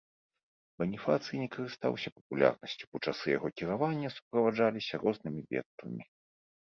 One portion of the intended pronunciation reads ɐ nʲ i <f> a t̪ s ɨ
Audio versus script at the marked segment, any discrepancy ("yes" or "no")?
no